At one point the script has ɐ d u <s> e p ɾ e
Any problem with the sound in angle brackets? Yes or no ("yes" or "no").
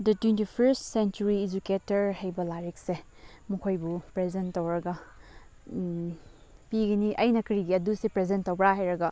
no